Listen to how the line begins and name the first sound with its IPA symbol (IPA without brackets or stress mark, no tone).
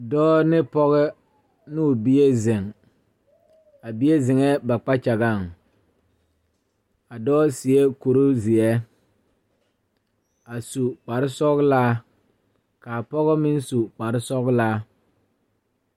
d